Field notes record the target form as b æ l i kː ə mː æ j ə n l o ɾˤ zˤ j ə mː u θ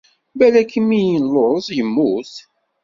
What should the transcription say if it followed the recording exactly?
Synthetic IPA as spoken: b æ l æ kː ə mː i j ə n l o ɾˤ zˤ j ə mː u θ